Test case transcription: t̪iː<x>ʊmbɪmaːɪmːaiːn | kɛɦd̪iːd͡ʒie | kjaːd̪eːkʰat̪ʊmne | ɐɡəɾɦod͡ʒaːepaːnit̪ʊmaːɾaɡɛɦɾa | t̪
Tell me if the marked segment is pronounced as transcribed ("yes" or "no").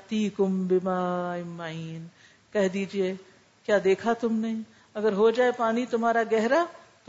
no